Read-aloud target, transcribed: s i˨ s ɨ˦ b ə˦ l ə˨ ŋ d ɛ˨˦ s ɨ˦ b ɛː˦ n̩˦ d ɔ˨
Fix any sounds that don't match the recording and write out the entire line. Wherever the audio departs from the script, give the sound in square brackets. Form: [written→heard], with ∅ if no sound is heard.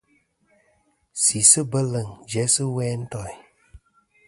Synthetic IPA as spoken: s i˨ s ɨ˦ b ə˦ l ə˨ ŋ [d→d͡ʒ] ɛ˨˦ s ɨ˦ [b→w] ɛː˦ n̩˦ [d→t] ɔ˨